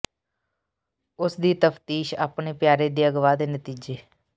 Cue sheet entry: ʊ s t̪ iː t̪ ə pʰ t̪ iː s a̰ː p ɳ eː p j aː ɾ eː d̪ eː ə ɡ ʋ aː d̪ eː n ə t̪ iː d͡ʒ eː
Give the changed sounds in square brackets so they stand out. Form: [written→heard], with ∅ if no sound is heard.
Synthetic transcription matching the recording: ʊ s [t̪→d̪] iː t̪ ə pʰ t̪ iː [s→ʃ] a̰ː p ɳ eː p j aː ɾ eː d̪ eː ə ɡ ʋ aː d̪ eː n ə t̪ iː d͡ʒ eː

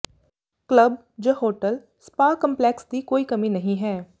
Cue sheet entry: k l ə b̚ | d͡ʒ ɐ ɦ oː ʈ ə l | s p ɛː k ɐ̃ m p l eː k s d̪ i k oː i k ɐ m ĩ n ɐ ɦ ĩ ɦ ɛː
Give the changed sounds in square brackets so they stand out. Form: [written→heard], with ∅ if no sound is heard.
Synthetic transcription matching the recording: k l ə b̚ | d͡ʒ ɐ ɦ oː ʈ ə l | s p [ɛː→aː] k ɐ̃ m p l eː k s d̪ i k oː i k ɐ m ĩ n ɐ ɦ ĩ ɦ ɛː

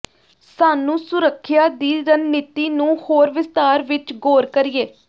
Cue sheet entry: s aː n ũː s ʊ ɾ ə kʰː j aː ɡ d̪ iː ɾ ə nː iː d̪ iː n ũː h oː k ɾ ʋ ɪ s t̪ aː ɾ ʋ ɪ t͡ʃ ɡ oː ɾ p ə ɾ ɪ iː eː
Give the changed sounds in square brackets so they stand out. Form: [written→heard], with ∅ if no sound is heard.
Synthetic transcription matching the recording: s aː n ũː s ʊ ɾ ə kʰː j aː [ɡ→∅] d̪ iː ɾ ə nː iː [d̪→t̪] iː n ũː h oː [k→∅] ɾ ʋ ɪ s t̪ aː ɾ ʋ ɪ t͡ʃ ɡ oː ɾ [p→k] ə ɾ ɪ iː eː

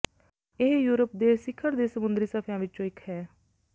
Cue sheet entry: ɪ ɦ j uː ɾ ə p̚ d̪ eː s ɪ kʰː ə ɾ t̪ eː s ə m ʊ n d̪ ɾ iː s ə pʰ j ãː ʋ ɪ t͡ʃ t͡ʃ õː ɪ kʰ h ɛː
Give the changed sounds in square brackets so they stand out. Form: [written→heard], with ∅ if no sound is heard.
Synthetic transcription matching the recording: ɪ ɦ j uː ɾ ə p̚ d̪ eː s ɪ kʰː ə ɾ [t̪→d̪] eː s ə m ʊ n d̪ ɾ iː s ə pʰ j ãː ʋ ɪ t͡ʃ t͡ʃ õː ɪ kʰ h ɛː

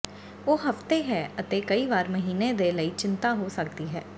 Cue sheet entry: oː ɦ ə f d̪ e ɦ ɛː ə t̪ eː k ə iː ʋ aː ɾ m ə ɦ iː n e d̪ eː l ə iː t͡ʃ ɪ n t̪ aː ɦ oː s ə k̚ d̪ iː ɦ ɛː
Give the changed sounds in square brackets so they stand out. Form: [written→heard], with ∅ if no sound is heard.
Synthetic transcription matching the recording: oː ɦ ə f [d̪→t̪] e ɦ ɛː ə t̪ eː k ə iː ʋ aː ɾ m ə ɦ iː n e d̪ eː l ə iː t͡ʃ ɪ n t̪ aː ɦ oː s ə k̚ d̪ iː ɦ ɛː

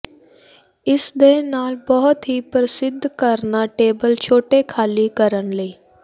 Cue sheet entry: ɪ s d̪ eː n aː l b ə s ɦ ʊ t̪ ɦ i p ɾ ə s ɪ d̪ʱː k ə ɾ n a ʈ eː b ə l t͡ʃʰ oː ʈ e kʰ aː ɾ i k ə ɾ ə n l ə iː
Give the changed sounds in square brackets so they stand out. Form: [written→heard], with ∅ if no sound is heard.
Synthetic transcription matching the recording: ɪ s d̪ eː n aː l b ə [s→∅] ɦ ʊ t̪ ɦ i p ɾ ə s ɪ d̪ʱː k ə ɾ n a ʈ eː b ə l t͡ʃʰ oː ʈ e kʰ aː [ɾ→l] i k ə ɾ ə n l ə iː

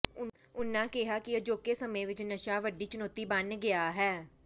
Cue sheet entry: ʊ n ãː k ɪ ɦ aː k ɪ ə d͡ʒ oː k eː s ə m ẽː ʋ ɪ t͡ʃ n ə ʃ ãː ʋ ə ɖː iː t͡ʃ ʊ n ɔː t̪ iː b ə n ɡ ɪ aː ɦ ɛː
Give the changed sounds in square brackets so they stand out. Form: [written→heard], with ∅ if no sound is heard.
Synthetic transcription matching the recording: ʊ n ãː k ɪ ɦ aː k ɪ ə d͡ʒ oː k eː s ə m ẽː ʋ ɪ t͡ʃ n ə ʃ [ãː→aː] ʋ ə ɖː iː t͡ʃ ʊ n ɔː t̪ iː b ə n ɡ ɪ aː ɦ ɛː

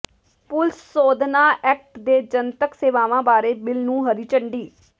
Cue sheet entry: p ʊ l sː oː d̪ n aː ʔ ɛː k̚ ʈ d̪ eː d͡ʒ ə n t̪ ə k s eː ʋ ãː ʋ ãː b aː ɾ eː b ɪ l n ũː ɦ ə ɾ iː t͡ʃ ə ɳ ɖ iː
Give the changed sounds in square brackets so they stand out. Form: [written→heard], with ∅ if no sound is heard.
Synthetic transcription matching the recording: p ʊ l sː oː d̪ n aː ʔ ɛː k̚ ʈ d̪ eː d͡ʒ ə n t̪ ə k s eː ʋ [ãː→aː] ʋ ãː b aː ɾ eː b ɪ l n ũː ɦ ə ɾ iː t͡ʃ ə ɳ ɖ iː

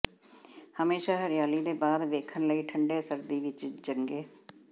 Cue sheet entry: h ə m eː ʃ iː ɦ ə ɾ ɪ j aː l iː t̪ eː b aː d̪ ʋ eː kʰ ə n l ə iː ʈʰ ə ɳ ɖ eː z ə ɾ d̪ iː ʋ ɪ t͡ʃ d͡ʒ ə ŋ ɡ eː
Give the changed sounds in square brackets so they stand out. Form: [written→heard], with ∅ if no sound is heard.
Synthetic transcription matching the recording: h ə m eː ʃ [iː→aː] ɦ ə ɾ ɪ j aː l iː [t̪→d̪] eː b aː d̪ ʋ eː kʰ ə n l ə iː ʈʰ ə ɳ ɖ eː [z→s] ə ɾ d̪ iː ʋ ɪ t͡ʃ d͡ʒ ə ŋ ɡ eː

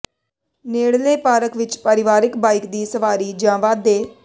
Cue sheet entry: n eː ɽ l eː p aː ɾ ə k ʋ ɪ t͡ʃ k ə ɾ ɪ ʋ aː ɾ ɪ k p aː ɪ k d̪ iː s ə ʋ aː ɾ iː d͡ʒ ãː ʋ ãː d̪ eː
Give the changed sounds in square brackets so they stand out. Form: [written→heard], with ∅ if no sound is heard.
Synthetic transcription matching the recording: n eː ɽ l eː p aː ɾ ə k ʋ ɪ t͡ʃ [k→p] ə ɾ ɪ ʋ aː ɾ ɪ k [p→b] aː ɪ k d̪ iː s ə ʋ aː ɾ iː d͡ʒ ãː ʋ [ãː→aː] d̪ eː

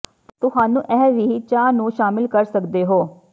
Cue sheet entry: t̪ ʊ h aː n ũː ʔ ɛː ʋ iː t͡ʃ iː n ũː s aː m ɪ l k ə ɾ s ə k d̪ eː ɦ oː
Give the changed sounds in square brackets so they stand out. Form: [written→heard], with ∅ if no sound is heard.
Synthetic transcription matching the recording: t̪ ʊ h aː n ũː ʔ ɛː ʋ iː t͡ʃ [iː→aː] n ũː [s→ʃ] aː m ɪ l k ə ɾ s ə k d̪ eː ɦ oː

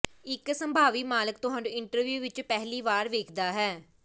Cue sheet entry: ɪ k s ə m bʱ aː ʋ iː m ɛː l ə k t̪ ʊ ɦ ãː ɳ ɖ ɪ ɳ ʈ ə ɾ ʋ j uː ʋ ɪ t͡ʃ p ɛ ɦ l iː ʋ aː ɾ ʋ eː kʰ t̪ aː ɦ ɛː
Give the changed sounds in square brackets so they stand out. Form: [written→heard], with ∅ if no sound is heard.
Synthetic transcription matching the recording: ɪ k s ə m bʱ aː ʋ iː m [ɛː→aː] l ə k t̪ ʊ ɦ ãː ɳ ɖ ɪ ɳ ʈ ə ɾ ʋ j uː ʋ ɪ t͡ʃ p ɛ ɦ l iː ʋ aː ɾ ʋ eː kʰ [t̪→d̪] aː ɦ ɛː

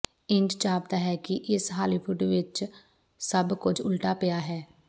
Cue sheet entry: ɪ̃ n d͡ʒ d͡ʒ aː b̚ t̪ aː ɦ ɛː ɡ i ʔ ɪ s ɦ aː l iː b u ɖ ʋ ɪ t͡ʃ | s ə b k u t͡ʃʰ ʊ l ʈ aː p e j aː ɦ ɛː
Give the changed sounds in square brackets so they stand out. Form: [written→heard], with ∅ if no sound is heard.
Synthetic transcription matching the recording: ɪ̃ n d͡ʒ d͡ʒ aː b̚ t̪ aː ɦ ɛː [ɡ→k] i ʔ ɪ s ɦ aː l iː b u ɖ ʋ ɪ t͡ʃ | s ə b k [u→ʊ] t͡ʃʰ ʊ l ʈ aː p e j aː ɦ ɛː

